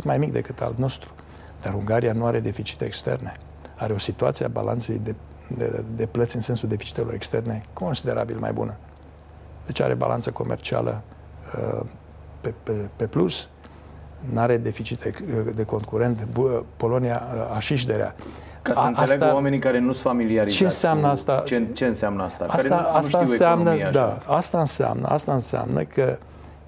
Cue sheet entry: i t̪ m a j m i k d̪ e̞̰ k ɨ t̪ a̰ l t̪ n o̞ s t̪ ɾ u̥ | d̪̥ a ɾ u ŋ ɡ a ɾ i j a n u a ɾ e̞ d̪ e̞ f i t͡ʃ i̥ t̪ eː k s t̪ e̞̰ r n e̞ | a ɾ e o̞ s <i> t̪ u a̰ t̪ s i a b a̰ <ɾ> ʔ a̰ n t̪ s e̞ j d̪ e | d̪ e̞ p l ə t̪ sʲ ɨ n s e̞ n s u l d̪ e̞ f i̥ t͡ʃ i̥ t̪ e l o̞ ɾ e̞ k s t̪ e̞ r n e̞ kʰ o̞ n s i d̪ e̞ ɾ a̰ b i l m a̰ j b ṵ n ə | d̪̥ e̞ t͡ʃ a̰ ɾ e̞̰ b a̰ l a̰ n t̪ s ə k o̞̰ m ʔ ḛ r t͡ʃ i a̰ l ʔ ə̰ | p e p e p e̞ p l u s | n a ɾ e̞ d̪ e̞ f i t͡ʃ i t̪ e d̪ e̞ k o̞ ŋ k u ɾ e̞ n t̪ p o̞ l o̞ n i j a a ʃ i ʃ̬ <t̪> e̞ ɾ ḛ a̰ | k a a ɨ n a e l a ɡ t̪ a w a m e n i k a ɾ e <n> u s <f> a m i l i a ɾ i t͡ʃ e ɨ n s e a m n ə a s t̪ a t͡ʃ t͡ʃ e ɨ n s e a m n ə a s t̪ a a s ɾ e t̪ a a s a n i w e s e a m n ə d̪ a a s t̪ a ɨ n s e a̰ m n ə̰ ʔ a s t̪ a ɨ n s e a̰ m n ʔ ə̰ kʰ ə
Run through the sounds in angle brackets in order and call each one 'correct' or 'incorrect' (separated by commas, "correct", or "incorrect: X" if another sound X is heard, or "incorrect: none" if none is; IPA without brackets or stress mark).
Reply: correct, incorrect: l, incorrect: d̪, correct, correct